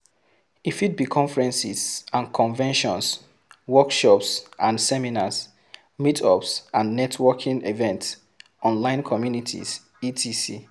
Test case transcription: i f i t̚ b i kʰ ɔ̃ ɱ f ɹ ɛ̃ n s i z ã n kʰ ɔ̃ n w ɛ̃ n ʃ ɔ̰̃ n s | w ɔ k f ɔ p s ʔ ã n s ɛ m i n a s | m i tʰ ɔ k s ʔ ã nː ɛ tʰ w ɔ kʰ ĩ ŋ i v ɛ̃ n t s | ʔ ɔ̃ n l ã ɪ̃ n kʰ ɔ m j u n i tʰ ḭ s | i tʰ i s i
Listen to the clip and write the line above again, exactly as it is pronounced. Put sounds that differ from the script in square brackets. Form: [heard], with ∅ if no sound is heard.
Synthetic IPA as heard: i f i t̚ b i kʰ ɔ̃ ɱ f ɹ ɛ̃ n s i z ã n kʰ ɔ̃ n [v] ɛ̃ n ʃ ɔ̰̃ n s | w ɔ k [ʃ] ɔ p s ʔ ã n s ɛ m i n a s | m i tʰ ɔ [p] s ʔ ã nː ɛ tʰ w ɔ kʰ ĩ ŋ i v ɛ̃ n t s | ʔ ɔ̃ n l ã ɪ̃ n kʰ ɔ m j u n i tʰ ḭ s | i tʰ i s i